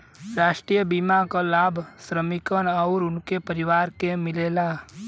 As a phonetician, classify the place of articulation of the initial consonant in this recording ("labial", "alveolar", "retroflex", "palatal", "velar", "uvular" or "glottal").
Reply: alveolar